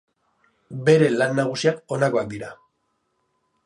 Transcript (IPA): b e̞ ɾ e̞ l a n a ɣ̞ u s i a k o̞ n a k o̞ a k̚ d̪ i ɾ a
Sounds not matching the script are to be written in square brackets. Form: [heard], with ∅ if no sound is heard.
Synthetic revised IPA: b e̞ ɾ e̞ l a [nː] a ɣ̞ u s i a k o̞ n a k o̞ a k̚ d̪ i ɾ a